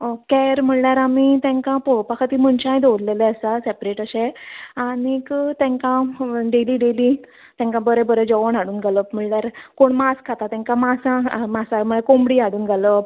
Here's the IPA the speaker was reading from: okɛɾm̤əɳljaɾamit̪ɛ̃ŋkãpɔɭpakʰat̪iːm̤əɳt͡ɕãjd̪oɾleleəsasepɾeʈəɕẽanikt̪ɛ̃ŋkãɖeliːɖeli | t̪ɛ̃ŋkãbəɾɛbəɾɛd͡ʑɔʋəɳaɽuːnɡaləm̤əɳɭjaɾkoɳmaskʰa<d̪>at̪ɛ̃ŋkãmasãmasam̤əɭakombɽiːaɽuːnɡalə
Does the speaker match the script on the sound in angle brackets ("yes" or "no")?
no